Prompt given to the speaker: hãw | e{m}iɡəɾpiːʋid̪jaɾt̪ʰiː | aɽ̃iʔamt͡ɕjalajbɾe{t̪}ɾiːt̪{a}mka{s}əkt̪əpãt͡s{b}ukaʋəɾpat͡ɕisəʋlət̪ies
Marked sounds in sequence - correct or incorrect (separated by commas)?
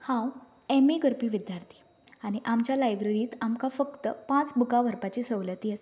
correct, incorrect, correct, incorrect, correct